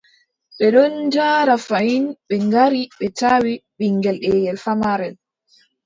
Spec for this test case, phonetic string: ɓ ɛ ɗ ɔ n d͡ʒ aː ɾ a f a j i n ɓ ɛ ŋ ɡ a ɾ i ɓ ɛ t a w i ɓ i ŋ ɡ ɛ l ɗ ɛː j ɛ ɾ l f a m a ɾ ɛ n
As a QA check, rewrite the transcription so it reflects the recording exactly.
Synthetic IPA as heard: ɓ ɛ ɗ ɔ n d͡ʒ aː ɾ a f a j i n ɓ ɛ ŋ ɡ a ɾ i ɓ ɛ t a w i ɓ i ŋ ɡ ɛ l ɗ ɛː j ɛ l f a m a ɾ ɛ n